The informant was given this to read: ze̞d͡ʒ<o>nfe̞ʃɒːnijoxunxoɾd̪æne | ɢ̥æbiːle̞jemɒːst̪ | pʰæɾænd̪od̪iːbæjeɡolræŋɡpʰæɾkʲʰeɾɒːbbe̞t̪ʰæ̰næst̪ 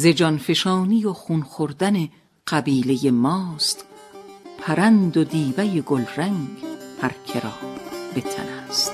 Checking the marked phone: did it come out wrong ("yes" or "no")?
yes